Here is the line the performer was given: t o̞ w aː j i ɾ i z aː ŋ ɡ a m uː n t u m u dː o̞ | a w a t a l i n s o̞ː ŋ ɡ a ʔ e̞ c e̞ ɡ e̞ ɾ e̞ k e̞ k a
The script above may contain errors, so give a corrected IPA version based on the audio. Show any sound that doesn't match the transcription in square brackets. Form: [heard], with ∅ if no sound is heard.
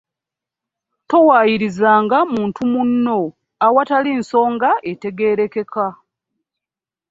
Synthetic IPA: t o̞ w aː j i ɾ i z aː ŋ ɡ a m uː n t u m u [nː] o̞ | a w a t a l i n s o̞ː ŋ ɡ a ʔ e̞ [t] e̞ ɡ e̞ ɾ e̞ k e̞ k a